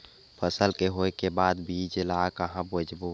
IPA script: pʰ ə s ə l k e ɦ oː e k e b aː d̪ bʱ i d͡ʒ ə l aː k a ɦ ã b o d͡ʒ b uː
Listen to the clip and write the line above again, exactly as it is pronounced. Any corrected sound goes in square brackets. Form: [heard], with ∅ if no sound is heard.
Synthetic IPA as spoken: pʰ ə s ə l k e ɦ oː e k e b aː d̪ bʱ i d͡ʒ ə l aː k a ɦ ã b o d͡ʒ b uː